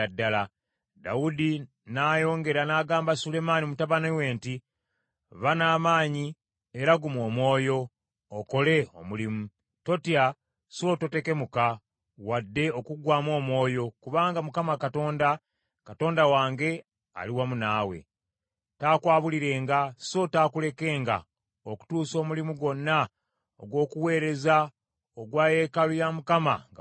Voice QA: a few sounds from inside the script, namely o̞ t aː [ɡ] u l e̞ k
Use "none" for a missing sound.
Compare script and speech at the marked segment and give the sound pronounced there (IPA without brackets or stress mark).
k